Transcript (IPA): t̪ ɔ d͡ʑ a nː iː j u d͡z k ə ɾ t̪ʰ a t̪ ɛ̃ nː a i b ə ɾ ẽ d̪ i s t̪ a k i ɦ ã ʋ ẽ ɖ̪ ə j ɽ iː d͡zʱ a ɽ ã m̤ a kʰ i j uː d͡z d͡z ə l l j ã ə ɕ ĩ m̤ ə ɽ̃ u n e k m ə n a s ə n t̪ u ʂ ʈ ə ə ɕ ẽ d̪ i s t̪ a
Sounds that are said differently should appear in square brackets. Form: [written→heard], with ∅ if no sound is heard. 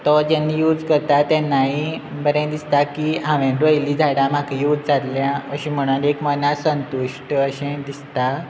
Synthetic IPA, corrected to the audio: t̪ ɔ d͡ʑ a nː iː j u d͡z k ə ɾ [t̪ʰ→t̪] a t̪ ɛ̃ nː a i b ə ɾ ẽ d̪ i s t̪ a k i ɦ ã ʋ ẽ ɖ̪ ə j [ɽ→l] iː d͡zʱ a ɽ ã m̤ a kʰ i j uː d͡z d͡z [ə→a] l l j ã ə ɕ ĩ m̤ ə ɽ̃ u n e k m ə n a s ə n t̪ u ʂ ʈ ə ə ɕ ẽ d̪ i s t̪ a